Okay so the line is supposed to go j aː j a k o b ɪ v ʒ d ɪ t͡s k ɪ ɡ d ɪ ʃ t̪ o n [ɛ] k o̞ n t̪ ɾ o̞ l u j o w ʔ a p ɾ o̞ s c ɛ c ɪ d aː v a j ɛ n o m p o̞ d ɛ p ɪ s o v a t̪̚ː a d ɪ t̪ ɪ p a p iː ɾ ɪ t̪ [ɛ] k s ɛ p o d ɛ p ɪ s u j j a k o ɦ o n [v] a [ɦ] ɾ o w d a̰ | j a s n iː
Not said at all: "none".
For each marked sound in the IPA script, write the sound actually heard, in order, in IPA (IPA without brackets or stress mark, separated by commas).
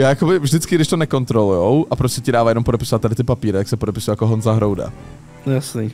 ɛ, a, z, ɦ